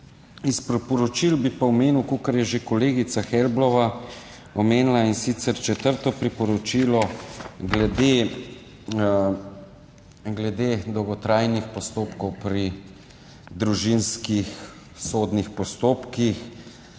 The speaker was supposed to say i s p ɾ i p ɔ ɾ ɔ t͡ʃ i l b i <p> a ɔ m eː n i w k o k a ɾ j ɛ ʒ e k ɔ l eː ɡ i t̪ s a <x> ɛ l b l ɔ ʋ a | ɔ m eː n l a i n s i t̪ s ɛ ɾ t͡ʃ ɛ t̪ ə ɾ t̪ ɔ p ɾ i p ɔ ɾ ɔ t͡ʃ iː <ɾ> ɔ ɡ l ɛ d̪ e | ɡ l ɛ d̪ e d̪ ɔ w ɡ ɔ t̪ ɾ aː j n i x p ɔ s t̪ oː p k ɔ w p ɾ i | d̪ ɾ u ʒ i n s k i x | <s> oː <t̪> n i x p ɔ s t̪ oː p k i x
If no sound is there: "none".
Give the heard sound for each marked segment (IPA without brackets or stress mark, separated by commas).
p, x, l, s, d̪